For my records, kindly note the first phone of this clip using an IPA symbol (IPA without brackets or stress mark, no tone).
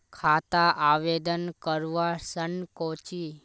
kʰ